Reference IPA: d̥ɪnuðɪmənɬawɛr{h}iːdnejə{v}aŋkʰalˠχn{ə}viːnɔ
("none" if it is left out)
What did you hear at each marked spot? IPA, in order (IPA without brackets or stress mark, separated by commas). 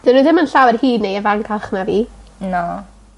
h, v, a